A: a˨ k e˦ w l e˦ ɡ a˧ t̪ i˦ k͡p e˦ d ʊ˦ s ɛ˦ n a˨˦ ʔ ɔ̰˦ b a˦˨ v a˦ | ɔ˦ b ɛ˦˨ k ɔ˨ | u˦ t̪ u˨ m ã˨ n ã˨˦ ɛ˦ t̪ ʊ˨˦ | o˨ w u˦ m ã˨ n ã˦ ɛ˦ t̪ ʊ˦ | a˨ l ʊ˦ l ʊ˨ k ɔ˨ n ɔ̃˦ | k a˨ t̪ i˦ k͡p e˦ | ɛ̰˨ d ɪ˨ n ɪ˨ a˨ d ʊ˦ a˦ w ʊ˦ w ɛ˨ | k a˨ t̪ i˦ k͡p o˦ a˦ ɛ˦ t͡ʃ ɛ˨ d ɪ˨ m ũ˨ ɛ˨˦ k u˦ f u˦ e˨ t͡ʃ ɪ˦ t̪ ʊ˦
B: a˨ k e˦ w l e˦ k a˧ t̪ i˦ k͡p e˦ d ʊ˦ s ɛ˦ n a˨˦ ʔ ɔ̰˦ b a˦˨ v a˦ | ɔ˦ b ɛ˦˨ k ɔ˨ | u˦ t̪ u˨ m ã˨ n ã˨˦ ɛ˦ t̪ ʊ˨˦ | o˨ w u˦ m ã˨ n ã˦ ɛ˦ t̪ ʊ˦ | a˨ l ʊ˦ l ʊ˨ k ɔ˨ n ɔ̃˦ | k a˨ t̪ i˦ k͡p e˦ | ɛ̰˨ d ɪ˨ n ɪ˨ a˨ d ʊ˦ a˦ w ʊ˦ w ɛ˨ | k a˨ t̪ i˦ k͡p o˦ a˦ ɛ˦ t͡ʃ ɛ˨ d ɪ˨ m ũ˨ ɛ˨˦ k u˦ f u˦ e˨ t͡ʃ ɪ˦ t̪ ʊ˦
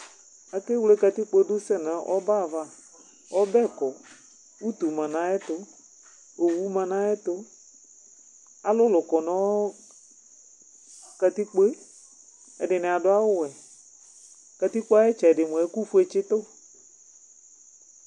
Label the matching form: B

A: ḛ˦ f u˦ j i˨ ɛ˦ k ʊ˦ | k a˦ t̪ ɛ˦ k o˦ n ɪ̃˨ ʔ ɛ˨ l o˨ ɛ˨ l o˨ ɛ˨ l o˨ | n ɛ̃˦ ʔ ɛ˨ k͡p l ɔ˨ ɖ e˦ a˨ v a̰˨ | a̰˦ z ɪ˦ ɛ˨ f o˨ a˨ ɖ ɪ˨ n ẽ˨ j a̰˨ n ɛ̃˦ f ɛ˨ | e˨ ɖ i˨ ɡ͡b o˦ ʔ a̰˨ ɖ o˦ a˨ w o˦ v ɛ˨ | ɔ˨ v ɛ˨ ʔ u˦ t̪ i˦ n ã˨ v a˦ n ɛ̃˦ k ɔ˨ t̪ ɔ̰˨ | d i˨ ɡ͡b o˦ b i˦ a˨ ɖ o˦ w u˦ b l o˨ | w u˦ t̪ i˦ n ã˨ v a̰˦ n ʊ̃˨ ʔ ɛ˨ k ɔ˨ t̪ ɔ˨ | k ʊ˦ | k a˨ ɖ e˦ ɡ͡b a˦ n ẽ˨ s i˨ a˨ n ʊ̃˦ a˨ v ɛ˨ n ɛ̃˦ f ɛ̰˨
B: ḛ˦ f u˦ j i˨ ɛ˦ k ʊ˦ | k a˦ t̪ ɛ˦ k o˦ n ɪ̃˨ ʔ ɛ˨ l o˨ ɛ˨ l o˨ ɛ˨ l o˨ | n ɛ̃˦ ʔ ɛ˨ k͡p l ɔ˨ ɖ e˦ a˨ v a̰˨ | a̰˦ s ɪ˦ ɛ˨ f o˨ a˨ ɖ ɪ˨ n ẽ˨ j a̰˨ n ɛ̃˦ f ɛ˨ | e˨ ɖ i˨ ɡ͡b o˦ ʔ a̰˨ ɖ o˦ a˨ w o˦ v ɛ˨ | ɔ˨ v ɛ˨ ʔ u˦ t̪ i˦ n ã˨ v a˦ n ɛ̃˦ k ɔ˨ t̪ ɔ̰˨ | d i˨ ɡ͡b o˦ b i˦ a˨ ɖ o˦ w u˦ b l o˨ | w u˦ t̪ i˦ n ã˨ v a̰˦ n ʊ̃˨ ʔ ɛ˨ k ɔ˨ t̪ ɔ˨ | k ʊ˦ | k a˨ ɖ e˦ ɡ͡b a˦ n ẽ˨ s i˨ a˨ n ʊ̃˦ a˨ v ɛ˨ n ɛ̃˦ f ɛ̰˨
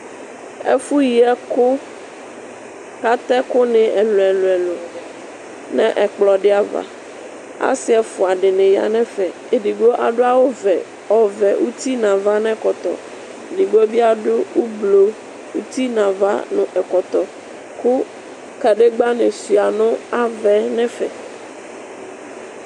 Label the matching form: B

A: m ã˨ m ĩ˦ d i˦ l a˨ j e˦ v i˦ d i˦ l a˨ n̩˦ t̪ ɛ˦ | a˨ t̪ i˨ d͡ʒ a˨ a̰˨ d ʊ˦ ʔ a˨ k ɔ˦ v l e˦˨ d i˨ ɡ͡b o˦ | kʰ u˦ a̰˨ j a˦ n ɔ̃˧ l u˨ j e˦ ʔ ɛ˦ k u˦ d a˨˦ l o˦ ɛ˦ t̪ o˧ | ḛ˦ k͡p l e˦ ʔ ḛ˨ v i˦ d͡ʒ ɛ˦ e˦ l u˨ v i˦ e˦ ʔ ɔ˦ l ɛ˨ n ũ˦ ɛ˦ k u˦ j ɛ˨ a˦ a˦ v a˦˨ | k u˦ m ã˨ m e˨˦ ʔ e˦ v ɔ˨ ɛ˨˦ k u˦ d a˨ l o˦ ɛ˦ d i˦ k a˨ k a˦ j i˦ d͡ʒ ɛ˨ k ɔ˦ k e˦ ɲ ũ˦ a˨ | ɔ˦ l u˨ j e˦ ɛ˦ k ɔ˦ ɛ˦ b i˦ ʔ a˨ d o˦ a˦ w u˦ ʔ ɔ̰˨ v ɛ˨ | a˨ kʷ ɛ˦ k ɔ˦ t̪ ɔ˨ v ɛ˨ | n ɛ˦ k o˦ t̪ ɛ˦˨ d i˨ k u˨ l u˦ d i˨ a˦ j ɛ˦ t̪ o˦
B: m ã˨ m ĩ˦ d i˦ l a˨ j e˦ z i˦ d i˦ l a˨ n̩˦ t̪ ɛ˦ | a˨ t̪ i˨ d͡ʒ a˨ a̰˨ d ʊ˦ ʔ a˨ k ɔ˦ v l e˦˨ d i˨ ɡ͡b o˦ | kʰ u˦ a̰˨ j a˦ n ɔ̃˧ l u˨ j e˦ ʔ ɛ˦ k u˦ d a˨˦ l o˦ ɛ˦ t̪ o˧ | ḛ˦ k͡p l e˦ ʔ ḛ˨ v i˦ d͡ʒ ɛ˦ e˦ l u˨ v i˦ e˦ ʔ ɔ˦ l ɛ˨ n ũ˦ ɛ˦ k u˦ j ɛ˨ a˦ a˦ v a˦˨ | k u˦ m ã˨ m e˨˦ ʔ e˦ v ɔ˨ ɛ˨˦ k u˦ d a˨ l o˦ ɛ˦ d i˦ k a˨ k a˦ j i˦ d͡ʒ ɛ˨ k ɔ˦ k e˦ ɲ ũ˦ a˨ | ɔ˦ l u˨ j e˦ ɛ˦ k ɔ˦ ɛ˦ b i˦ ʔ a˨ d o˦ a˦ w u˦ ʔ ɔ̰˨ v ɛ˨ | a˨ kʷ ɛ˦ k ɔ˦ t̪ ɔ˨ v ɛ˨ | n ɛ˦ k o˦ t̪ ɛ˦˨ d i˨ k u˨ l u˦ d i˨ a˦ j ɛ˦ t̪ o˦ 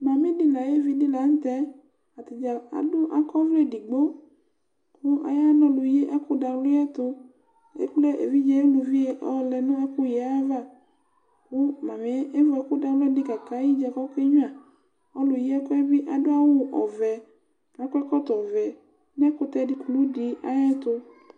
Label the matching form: A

